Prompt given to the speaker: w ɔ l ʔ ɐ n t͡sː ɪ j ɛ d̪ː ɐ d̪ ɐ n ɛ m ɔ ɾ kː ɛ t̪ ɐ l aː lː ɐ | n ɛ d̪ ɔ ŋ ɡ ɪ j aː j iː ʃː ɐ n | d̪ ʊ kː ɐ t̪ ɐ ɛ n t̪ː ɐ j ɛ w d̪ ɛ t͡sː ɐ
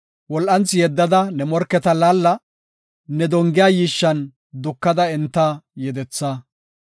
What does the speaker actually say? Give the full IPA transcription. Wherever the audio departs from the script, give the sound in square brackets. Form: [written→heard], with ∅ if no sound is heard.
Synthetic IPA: w ɔ l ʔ ɐ n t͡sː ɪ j ɛ d̪ː ɐ d̪ ɐ n ɛ m ɔ ɾ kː ɛ t̪ ɐ l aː lː ɐ | n ɛ d̪ ɔ ŋ ɡ ɪ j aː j iː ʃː ɐ n | d̪ ʊ kː ɐ [t̪→d̪] ɐ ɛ n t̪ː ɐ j ɛ [w→∅] d̪ ɛ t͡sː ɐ